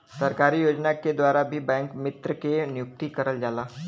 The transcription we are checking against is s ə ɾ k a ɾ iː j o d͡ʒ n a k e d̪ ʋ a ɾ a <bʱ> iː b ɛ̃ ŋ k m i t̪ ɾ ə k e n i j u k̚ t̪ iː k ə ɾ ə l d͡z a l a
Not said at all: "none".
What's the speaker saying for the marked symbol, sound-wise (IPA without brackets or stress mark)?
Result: bʱ